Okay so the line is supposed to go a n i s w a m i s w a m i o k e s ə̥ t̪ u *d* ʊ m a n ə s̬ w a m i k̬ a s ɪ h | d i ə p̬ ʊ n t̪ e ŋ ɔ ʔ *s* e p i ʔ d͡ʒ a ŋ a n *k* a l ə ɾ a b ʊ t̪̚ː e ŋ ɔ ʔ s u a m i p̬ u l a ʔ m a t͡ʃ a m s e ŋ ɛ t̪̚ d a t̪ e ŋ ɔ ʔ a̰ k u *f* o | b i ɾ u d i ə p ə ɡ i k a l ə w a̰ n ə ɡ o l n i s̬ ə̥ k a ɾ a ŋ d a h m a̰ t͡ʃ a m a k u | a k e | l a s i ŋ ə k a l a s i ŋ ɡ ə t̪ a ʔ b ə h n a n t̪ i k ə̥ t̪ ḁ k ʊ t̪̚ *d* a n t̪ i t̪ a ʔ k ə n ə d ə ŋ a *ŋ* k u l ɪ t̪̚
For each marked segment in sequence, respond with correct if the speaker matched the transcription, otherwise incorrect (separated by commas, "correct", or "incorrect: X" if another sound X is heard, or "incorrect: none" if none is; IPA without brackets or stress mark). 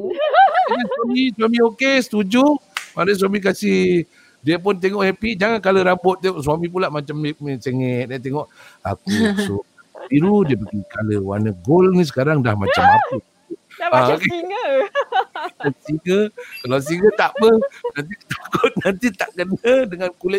incorrect: d͡ʒ, incorrect: h, correct, incorrect: s, incorrect: n, incorrect: n